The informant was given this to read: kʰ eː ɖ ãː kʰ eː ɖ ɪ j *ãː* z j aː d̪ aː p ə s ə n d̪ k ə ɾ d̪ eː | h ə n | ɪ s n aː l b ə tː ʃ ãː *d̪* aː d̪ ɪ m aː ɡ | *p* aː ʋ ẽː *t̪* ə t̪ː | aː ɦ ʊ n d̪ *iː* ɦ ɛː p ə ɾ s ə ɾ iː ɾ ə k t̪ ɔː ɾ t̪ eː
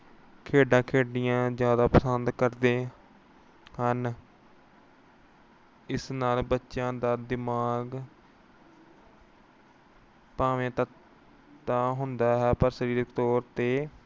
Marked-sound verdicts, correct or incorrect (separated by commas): correct, correct, correct, correct, incorrect